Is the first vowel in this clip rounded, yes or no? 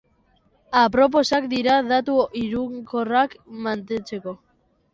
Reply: no